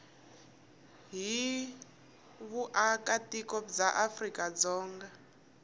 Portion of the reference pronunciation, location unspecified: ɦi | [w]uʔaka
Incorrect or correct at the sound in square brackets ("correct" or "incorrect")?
incorrect